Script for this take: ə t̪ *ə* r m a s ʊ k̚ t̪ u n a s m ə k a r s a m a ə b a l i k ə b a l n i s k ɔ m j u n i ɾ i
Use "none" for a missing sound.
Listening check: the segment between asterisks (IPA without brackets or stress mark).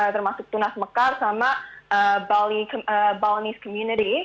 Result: ə